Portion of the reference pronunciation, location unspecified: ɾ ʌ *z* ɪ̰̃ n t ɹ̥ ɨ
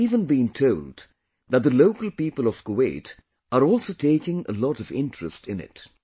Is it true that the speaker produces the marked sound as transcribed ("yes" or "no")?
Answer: no